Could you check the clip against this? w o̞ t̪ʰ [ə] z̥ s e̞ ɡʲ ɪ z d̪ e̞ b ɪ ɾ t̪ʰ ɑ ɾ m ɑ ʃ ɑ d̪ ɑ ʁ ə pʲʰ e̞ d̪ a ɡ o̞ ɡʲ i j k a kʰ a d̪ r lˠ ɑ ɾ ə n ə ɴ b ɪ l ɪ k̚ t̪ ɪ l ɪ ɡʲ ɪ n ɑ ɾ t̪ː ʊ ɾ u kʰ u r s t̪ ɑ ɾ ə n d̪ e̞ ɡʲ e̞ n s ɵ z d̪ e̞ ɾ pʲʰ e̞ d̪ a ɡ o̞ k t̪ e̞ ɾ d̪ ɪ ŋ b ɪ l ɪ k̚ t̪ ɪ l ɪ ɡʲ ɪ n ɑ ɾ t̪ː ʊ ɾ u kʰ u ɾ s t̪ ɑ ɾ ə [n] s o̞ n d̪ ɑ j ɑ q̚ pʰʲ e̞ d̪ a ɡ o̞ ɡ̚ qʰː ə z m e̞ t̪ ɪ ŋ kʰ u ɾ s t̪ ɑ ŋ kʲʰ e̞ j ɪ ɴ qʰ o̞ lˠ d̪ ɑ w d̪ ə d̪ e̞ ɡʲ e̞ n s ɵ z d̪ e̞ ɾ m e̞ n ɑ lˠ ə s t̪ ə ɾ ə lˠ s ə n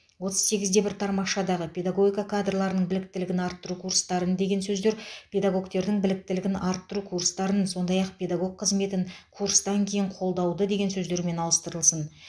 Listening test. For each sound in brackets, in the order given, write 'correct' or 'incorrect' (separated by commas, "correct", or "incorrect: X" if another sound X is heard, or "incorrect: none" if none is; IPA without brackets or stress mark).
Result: correct, correct